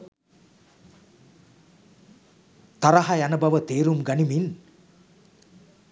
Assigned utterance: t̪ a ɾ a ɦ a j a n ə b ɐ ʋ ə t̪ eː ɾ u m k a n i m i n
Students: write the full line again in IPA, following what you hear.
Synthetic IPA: t̪ a ɾ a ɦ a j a n ə b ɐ ʋ ə t̪ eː ɾ u m ɡ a n i m i n